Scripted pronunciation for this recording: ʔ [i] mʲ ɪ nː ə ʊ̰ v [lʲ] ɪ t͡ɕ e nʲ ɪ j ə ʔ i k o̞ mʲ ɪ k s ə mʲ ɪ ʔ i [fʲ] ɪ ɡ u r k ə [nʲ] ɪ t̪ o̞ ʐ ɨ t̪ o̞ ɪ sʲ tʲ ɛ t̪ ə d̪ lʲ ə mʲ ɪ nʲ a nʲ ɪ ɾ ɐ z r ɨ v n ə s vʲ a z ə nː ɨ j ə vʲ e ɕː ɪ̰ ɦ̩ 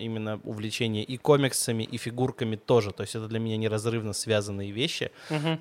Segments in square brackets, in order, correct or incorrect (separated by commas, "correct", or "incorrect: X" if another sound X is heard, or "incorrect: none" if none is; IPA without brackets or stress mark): correct, correct, correct, incorrect: mʲ